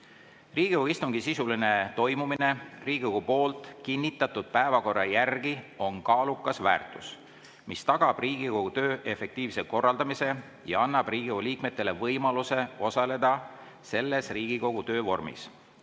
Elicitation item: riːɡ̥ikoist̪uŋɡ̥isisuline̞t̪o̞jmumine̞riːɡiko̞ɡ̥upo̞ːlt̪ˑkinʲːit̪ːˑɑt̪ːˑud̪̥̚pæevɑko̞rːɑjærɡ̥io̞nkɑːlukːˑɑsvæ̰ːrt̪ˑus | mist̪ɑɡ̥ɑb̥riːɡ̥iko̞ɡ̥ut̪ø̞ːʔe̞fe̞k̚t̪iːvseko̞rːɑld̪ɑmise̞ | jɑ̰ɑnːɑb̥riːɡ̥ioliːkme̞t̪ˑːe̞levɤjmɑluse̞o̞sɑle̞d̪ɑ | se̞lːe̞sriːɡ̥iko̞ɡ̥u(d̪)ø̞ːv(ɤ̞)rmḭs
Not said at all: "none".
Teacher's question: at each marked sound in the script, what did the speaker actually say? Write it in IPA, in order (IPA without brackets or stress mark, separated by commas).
t̪, o̞